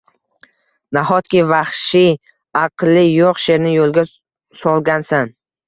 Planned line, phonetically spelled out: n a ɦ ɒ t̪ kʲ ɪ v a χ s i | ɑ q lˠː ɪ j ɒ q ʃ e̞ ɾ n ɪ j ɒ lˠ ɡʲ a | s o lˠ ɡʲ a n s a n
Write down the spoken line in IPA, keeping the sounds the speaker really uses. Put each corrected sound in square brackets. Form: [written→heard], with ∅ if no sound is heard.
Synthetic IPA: n a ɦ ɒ t̪ kʲ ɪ v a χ [s→ʃ] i | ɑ q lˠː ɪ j [ɒ→o] q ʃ e̞ ɾ n ɪ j [ɒ→o] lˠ ɡʲ a | s [o→ɒ] lˠ ɡʲ a n s a n